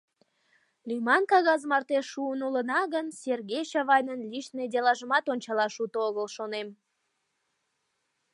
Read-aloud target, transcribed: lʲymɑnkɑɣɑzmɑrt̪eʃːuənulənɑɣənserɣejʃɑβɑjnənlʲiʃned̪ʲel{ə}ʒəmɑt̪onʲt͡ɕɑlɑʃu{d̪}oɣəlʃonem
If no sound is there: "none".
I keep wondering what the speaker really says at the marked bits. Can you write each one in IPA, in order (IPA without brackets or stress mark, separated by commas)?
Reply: ɑ, t̪